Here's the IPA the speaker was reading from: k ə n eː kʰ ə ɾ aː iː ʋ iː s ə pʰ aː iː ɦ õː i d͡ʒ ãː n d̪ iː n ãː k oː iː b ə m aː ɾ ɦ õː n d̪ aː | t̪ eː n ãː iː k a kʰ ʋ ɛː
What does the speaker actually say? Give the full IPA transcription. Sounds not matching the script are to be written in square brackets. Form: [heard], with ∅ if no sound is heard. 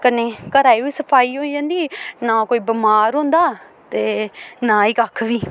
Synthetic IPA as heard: k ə n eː [k] ə ɾ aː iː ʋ iː s ə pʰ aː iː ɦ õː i d͡ʒ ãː n d̪ iː n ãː k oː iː b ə m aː ɾ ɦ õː n d̪ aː | t̪ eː n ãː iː k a kʰ ʋ [iː]